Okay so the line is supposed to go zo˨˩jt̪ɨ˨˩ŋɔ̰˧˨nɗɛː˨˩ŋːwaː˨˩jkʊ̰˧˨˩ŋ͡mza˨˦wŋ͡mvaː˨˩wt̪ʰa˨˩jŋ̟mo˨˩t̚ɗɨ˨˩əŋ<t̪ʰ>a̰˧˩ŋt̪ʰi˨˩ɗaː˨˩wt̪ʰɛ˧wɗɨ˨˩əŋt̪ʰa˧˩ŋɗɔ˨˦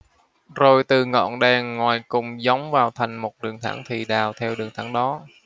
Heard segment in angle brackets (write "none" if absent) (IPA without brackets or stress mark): t̪ʰ